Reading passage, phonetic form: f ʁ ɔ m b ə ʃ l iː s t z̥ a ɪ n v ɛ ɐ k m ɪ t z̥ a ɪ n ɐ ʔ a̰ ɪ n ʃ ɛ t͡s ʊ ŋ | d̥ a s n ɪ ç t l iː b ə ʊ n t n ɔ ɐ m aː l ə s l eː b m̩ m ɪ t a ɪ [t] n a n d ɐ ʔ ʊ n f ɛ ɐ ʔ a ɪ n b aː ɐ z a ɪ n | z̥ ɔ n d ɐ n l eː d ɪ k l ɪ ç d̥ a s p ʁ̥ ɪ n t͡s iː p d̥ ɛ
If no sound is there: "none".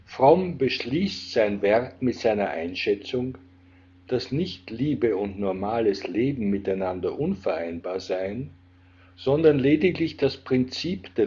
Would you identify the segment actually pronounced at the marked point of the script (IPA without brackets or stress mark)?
none